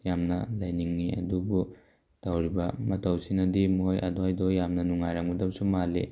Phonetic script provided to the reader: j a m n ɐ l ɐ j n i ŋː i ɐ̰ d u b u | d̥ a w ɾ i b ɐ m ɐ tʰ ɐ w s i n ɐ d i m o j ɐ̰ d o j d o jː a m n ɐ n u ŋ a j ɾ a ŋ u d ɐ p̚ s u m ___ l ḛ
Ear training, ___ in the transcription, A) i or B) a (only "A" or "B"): B